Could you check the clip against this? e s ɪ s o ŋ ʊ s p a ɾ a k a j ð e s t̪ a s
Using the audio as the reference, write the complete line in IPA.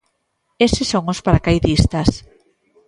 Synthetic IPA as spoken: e s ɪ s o ŋ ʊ s p a ɾ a k a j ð i s t̪ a s